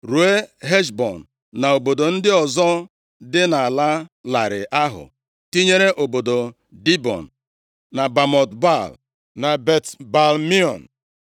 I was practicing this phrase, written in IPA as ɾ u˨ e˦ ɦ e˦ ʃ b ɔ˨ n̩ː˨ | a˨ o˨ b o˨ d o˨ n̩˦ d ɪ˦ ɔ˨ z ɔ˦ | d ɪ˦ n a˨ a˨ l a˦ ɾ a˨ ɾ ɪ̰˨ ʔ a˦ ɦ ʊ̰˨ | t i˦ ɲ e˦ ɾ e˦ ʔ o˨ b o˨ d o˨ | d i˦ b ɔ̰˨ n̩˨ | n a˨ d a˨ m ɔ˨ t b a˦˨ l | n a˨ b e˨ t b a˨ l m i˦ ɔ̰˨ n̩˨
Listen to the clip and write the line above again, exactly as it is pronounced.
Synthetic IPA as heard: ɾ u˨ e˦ ɦ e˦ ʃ b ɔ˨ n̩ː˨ | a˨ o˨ b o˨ d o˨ n̩˦ d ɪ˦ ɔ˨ z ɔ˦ | d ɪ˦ n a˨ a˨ l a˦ l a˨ ɾ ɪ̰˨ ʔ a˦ ɦ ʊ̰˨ | t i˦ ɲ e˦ ɾ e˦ ʔ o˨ b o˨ d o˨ | d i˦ b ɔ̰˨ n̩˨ | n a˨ b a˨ m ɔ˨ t b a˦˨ l | n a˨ b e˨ t b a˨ l m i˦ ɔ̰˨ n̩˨